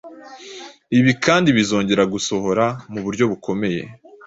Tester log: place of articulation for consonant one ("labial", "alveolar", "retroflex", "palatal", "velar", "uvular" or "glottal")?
labial